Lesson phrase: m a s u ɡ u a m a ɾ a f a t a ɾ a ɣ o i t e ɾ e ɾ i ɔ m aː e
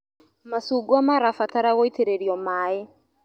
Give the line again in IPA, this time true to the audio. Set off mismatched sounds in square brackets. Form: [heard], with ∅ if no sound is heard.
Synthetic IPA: m a s u ɡ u a m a ɾ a f a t a ɾ a ɣ o i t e ɾ e ɾ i ɔ m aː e